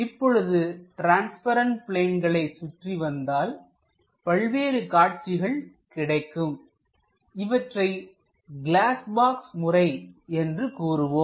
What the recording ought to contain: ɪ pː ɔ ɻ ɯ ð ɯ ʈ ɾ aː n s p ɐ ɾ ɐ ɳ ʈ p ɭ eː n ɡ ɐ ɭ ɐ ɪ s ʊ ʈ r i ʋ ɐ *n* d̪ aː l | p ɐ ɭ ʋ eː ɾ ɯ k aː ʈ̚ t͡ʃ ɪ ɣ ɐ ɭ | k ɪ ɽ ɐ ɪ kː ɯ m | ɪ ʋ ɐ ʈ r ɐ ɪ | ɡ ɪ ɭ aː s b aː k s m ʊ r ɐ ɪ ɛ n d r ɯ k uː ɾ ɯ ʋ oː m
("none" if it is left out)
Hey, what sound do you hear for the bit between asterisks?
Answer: n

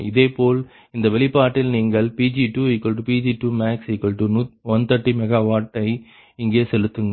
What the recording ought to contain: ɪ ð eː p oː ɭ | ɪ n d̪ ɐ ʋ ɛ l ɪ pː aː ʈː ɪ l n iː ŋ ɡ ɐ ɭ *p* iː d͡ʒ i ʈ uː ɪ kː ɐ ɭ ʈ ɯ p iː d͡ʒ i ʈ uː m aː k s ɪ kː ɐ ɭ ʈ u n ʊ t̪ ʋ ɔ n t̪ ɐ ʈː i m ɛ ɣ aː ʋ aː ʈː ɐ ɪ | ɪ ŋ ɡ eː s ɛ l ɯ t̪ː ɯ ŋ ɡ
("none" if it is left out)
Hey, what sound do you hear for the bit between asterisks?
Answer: p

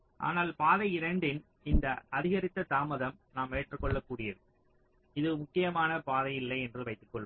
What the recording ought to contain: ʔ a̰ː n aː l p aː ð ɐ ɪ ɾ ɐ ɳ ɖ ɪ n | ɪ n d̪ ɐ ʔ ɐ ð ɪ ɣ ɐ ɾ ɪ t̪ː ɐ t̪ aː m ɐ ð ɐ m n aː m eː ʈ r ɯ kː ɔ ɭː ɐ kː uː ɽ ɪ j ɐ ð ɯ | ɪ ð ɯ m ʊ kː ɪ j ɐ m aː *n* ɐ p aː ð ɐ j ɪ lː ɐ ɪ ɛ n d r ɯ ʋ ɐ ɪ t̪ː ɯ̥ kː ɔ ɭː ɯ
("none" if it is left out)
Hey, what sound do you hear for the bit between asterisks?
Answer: n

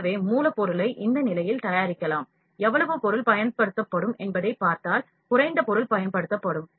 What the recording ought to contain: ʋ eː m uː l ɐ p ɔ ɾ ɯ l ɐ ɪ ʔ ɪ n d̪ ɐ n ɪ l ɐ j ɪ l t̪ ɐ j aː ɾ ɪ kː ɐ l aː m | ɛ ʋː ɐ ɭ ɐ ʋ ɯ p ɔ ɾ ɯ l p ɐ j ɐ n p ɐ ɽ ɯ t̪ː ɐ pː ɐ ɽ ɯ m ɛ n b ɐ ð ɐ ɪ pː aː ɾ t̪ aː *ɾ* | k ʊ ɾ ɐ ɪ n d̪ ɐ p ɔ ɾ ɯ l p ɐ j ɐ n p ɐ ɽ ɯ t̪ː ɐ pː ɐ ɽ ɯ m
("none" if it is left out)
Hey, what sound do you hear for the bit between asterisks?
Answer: l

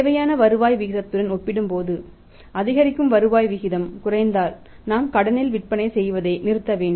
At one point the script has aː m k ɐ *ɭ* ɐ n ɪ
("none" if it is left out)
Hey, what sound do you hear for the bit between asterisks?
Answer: ɽ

